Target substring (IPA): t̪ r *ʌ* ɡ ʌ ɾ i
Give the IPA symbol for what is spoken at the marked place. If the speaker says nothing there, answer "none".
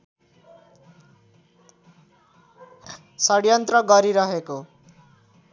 ʌ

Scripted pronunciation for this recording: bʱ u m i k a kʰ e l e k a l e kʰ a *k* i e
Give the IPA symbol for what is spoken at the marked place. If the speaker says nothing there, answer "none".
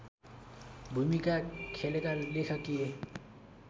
k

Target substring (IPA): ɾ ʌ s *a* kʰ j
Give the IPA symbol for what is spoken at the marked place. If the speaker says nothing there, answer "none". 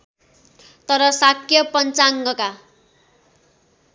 a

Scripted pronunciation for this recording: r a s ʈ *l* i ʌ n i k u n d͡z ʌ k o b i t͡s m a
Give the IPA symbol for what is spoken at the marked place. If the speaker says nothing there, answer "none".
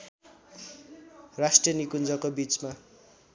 r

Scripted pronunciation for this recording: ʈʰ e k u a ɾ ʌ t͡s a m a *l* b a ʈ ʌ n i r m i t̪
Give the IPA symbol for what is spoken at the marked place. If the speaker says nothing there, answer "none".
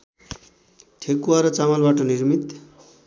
l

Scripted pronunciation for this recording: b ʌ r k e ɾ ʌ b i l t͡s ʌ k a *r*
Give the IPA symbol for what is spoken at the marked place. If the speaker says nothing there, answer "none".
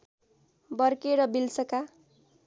none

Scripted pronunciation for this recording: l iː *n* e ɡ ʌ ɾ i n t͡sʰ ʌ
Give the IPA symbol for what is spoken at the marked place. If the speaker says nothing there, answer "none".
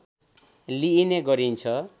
n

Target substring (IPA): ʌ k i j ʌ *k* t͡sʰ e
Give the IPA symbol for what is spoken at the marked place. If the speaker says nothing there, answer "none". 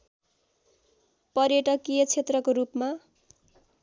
none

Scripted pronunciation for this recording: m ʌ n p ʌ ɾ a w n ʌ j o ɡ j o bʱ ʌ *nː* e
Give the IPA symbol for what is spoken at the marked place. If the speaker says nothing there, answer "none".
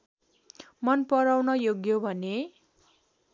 n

